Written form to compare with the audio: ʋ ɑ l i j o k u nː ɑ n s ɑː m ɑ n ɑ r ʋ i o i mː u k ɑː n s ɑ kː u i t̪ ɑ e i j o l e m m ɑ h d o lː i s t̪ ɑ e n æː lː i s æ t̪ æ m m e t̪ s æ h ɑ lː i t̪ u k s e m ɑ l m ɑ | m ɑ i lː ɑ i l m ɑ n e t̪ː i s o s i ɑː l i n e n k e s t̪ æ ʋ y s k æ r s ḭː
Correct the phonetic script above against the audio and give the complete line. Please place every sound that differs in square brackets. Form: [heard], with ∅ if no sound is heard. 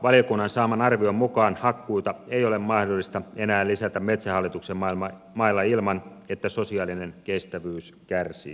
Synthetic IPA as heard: ʋ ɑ l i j o k u nː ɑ n s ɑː m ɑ n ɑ r ʋ i o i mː u k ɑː n [h] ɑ kː u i t̪ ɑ e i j o l e m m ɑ h d o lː i s t̪ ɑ e n æː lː i s æ t̪ æ m m e t̪ s æ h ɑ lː i t̪ u k s e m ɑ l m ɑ | m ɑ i lː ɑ i l m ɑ n e t̪ː [æ] s o s i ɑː l i n e n k e s t̪ æ ʋ [yː] s k æ r s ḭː